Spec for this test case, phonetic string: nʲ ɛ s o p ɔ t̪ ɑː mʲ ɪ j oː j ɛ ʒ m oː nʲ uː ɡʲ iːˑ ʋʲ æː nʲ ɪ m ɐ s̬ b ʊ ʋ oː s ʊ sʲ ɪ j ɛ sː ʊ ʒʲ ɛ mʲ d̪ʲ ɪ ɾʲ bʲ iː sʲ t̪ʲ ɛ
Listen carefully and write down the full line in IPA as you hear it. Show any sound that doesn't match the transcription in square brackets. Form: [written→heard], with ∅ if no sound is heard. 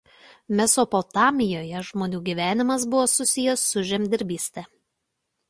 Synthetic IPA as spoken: [nʲ→mʲ] ɛ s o p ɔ t̪ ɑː mʲ ɪ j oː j ɛ ʒ m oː nʲ uː ɡʲ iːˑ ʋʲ æː nʲ ɪ m ɐ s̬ b ʊ ʋ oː s ʊ sʲ ɪ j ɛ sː ʊ ʒʲ ɛ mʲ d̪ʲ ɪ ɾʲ bʲ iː sʲ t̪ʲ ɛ